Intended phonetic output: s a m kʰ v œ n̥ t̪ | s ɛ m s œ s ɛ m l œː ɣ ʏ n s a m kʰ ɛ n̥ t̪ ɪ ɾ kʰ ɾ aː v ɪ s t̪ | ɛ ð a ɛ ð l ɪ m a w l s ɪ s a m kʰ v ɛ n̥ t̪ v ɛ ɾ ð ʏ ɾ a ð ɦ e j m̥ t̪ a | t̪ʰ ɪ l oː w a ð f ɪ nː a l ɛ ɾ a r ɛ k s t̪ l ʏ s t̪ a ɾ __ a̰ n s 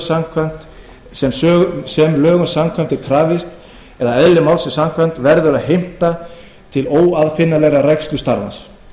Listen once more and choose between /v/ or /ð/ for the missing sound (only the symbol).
v